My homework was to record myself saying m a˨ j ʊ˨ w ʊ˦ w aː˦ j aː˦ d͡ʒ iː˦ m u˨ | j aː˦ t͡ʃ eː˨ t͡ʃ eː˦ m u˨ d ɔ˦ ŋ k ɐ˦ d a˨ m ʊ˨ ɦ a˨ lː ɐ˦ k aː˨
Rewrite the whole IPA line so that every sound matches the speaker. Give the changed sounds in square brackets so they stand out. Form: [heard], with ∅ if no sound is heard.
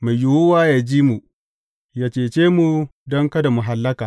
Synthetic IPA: m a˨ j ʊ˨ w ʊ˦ w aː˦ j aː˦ d͡ʒ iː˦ m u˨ | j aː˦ t͡ʃ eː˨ t͡ʃ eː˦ m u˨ d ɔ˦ ŋ k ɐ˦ d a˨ m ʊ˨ ɦ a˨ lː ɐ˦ k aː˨